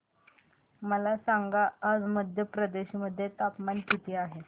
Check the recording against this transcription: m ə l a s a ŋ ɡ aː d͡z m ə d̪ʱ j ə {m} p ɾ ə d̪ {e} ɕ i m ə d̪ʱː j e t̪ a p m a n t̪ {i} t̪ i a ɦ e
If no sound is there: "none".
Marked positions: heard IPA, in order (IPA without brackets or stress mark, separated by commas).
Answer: none, e, i